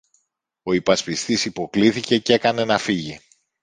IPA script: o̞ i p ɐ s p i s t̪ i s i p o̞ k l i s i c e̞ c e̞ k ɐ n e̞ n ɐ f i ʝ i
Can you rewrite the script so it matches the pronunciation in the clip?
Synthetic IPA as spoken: o̞ i p ɐ s p i s t̪ i s i p o̞ k l i θ i c e̞ c e̞ k ɐ n e̞ n ɐ f i ʝ i

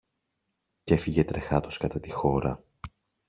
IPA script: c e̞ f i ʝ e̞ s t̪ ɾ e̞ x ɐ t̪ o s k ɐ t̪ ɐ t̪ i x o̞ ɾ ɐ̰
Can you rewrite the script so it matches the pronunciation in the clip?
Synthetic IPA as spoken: c e̞ f i ʝ e̞ t̪ ɾ e̞ x ɐ t̪ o s k ɐ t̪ ɐ t̪ i x o̞ ɾ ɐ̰

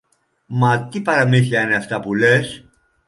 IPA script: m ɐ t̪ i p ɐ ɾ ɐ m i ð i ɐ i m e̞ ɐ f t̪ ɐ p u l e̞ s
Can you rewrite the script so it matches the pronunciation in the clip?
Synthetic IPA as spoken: m ɐ t̪ i p ɐ ɾ ɐ m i θ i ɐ i n e̞ ɐ f t̪ ɐ p u l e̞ s

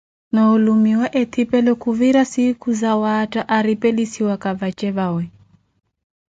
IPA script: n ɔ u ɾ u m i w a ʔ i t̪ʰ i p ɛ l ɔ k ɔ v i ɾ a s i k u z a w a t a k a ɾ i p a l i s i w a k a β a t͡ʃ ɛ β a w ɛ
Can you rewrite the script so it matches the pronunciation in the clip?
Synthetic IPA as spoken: n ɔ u l u m i w a ʔ ɛ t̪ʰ i p ɛ l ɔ k u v i ɾ a s i k u z a w a t a ʔ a ɾ i p ɛ l i s i w a k a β a t͡ʃ ɛ β a w ɛ

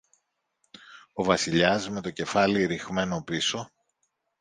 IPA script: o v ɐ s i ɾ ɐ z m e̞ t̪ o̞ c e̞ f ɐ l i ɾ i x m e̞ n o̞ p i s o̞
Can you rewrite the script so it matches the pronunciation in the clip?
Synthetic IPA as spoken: o v ɐ s i ʎ ɐ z m e̞ t̪ o̞ c e̞ f ɐ l i ɾ i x m e̞ n o̞ p i s o̞

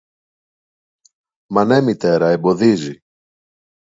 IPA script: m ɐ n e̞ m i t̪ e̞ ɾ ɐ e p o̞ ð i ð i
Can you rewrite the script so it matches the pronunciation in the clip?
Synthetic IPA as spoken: m ɐ n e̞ m i t̪ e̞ ɾ ɐ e b o̞ ð i z i

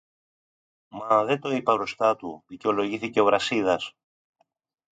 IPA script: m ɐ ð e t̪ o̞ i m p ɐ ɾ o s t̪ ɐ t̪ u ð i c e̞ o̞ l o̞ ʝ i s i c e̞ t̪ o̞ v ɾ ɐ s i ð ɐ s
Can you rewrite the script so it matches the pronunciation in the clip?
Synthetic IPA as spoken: m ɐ ð e t̪ o̞ i p ɐ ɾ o s t̪ ɐ t̪ u ð i c e̞ o̞ l o̞ ʝ i θ i c e̞ o̞ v ɾ ɐ s i ð ɐ s

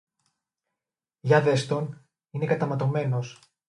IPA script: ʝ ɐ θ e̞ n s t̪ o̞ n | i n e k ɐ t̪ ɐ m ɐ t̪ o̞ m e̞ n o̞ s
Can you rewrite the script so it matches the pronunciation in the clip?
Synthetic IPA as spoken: ʝ ɐ ð e̞ s t̪ o̞ n | i n e k ɐ t̪ ɐ m ɐ t̪ o̞ m e̞ n o̞ s

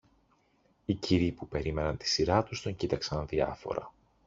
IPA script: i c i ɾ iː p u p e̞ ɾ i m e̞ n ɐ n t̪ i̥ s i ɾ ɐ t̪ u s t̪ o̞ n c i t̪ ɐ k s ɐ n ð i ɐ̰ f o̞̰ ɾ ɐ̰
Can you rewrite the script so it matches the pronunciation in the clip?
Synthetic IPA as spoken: i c i ɾ i p u p e̞ ɾ i m e̞ n ɐ n t̪ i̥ s i ɾ ɐ t̪ u s t̪ o̞ ɲ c i t̪ ɐ k s ɐ n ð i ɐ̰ f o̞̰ ɾ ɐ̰

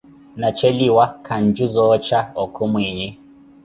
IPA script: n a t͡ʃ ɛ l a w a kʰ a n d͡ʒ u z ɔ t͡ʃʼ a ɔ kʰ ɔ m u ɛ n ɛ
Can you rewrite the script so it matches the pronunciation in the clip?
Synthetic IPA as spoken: n a t͡ʃ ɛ l i w a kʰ a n d͡ʒ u z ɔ t͡ʃ a ɔ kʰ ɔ m w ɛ ɲ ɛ

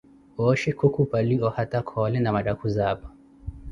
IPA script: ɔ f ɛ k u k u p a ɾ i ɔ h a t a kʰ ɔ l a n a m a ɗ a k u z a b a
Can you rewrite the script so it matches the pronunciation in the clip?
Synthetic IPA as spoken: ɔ ʃ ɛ k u k u p a l i ɔ h a t a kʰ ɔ l ɛ n a m a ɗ a k u z a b a

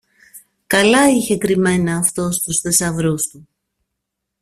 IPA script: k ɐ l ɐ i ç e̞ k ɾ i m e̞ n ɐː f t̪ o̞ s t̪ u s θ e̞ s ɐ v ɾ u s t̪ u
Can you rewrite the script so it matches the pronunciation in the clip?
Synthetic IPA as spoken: k ɐ l ɐ i ç e̞ k ɾ i m e̞ n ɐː f t̪ o̞ s t̪ u s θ e̞ s ɐ v ɾ u s t̪ u

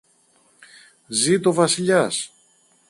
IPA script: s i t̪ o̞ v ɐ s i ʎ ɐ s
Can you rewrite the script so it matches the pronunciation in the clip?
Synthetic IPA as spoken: z i t̪ o̞ v ɐ s i ʎ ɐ s

